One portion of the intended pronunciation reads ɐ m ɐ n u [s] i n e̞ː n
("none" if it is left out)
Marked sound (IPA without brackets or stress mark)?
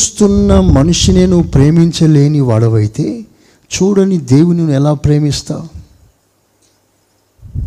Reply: ʂ